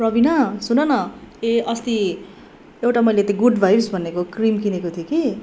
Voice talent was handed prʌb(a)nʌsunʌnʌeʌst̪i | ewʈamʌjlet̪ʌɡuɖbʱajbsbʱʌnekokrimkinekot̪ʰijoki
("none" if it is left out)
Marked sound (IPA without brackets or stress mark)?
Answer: i